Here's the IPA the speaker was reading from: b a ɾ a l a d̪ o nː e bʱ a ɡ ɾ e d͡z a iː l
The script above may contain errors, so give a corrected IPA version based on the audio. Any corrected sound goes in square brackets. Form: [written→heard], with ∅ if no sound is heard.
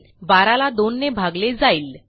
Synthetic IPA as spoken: b a ɾ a l a d̪ o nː e bʱ a ɡ [ɾ→l] e d͡z a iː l

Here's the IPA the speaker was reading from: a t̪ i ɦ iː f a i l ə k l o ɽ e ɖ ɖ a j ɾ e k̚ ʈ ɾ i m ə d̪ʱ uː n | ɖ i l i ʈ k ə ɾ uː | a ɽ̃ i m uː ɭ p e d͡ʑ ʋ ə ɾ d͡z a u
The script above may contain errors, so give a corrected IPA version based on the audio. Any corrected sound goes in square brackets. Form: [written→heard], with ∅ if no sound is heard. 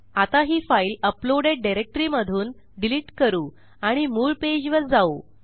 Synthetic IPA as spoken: a t̪ [i→a] ɦ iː f a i l ə [k→p] l o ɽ e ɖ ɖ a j ɾ e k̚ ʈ ɾ i m ə d̪ʱ uː n | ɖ i l i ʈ k ə ɾ uː | a ɽ̃ i m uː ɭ p e d͡ʑ ʋ ə ɾ d͡z a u

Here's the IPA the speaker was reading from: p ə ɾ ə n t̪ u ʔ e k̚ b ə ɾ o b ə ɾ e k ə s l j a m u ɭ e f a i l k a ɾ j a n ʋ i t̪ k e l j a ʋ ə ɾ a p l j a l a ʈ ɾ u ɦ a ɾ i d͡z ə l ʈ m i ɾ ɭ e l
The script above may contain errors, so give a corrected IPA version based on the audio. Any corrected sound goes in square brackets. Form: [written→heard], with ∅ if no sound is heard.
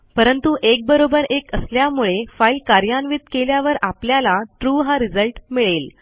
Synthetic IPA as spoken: p ə ɾ ə n t̪ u ʔ e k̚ b ə ɾ o b ə ɾ e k ə s l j a m u ɭ e f a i l k a ɾ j a n ʋ i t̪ k e l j a ʋ ə ɾ a p l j a l a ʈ ɾ u ɦ a ɾ i d͡z ə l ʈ m i [ɾ→∅] ɭ e l

